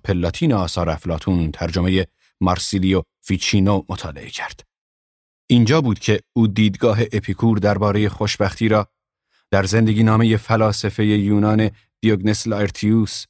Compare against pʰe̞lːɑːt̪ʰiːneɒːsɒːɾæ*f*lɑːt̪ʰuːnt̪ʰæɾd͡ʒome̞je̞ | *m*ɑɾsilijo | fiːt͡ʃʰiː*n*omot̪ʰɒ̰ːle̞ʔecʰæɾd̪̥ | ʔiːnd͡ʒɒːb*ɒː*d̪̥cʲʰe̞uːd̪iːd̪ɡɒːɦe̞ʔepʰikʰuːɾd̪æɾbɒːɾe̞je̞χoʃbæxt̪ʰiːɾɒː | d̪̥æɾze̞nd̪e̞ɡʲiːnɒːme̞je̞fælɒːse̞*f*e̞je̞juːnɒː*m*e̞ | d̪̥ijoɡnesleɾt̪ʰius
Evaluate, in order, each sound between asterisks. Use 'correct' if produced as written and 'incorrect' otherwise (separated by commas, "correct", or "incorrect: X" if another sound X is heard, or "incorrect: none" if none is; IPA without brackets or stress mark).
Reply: correct, correct, correct, incorrect: uː, correct, incorrect: n